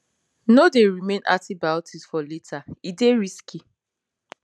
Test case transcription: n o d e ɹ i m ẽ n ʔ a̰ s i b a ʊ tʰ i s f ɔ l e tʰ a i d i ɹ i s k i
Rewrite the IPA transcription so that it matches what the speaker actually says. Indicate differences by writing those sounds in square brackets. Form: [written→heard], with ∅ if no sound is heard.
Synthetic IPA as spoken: n o d e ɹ i m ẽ n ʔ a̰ [s→t] i b a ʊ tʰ i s f ɔ l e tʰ a i d [i→e] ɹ i s k i